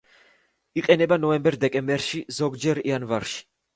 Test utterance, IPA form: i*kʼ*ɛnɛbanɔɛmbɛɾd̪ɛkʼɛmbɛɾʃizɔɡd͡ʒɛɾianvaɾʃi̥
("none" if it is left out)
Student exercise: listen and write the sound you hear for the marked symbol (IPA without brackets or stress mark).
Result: qʼ